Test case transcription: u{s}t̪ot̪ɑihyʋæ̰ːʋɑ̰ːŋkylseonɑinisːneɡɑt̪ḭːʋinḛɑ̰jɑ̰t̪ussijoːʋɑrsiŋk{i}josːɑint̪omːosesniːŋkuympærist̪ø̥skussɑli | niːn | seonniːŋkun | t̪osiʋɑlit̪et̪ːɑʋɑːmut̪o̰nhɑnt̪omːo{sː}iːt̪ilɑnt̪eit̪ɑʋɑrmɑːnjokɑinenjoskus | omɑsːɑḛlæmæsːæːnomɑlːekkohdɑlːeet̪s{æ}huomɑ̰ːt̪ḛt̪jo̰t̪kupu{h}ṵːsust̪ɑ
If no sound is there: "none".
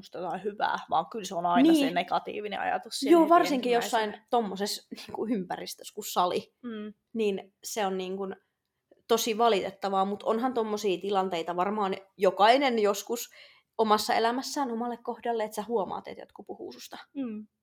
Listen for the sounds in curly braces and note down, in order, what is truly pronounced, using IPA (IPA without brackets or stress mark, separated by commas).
s, i, s, æ, h